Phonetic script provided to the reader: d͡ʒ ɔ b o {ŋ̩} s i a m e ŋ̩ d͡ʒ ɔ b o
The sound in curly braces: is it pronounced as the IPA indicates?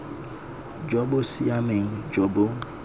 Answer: no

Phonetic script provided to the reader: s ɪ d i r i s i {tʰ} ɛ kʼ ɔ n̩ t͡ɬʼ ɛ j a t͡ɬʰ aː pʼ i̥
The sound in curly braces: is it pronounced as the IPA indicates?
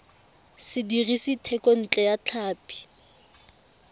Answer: yes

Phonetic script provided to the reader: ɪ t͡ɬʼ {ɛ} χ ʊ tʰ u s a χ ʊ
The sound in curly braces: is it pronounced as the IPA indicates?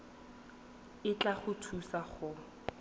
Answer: no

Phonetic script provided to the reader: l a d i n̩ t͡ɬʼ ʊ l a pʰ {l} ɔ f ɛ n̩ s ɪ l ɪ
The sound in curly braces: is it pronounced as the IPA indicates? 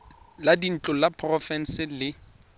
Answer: no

